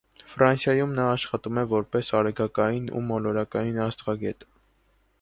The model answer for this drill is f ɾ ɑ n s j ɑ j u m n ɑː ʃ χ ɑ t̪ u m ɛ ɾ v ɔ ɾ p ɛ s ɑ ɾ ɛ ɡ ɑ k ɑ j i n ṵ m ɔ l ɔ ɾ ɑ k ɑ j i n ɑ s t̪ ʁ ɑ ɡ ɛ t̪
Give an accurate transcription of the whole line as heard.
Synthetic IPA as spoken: f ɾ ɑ n s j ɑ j u m n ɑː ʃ χ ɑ t̪ u m ɛ v ɔ ɾ p ɛ s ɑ ɾ ɛ ɡ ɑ k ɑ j i n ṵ m ɔ l ɔ ɾ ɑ k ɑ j i n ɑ s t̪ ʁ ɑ ɡ ɛ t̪